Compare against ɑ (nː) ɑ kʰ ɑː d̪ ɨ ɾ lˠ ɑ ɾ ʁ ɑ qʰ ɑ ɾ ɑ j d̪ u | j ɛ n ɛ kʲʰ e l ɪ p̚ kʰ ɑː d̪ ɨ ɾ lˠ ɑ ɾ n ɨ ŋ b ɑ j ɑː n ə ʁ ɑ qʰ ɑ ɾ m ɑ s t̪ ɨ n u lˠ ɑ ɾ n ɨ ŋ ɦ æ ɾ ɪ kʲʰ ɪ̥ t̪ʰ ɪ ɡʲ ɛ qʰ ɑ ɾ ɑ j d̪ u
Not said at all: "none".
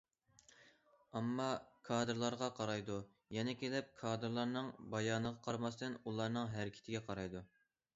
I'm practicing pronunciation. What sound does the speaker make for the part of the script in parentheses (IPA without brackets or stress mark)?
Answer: mː